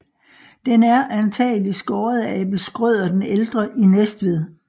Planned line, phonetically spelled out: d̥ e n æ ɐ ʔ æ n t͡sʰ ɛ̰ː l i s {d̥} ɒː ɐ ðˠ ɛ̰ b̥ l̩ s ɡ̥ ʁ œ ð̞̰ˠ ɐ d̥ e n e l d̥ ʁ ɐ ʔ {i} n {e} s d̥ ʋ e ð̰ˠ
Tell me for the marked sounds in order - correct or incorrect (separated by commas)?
incorrect, correct, correct